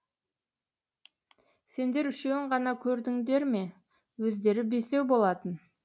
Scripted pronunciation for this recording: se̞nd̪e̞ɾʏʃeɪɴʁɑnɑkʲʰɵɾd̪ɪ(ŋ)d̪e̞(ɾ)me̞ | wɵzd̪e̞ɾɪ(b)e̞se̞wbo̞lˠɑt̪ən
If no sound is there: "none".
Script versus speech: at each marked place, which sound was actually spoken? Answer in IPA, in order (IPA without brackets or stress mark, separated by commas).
ŋ, ɾ, b